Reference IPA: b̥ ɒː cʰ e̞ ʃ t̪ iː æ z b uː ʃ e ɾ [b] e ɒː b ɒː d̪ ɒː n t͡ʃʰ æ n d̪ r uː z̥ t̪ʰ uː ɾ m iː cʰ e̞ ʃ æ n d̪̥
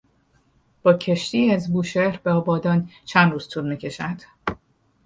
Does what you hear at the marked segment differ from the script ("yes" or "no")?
no